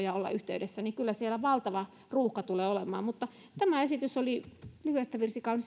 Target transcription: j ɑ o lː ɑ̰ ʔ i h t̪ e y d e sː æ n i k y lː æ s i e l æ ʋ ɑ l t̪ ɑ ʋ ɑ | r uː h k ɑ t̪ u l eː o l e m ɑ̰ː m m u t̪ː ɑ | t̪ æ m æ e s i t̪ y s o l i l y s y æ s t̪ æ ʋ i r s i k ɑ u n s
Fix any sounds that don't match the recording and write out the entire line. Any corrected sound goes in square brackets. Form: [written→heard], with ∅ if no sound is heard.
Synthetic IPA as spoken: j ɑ o lː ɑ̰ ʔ [i→y] h t̪ e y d e sː æ n i k y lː æ s i e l æ ʋ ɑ l t̪ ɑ ʋ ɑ | r uː h k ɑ t̪ u l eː o l e m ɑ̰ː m m u t̪ː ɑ | t̪ æ m æ e s i t̪ y s o l i l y [s→h] y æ s t̪ æ ʋ i r s i k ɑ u n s